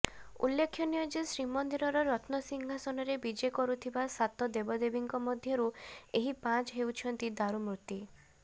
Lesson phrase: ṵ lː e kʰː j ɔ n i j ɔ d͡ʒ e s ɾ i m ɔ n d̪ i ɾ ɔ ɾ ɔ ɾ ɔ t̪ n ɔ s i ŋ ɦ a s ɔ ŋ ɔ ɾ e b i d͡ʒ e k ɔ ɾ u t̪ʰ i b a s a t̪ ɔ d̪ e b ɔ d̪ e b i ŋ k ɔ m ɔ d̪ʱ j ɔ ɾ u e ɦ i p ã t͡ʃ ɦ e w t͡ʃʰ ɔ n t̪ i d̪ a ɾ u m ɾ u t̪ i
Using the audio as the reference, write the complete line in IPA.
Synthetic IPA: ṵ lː e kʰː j ɔ n i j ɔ d͡ʒ e s ɾ i m ɔ n d̪ i ɾ ɔ ɾ ɔ ɾ ɔ t̪ n ɔ s i ŋ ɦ a s ɔ n ɔ ɾ e b i d͡ʒ e k ɔ ɾ u t̪ʰ i b a s a t̪ ɔ d̪ e b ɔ d̪ e b i ŋ k ɔ m ɔ d̪ʱ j ɔ ɾ u e ɦ i p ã t͡ʃ ɦ e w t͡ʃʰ ɔ n t̪ i d̪ a ɾ u m ɾ u t̪ i